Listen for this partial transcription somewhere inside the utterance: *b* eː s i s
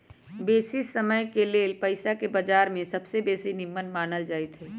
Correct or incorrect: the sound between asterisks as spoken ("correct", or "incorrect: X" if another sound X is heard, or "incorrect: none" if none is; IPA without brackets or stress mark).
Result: correct